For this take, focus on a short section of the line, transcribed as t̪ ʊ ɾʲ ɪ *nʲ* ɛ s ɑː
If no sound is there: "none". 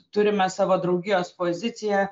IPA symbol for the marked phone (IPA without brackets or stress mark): mʲ